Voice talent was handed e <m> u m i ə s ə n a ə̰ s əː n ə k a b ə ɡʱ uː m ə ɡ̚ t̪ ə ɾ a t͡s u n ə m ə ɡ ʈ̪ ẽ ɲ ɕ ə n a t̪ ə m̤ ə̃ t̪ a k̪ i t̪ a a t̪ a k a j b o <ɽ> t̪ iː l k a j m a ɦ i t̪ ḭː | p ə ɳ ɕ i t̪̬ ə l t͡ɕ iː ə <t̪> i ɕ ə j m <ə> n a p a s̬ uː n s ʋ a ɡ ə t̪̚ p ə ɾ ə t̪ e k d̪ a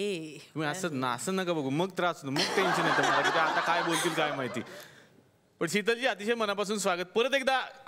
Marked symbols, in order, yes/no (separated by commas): no, no, yes, yes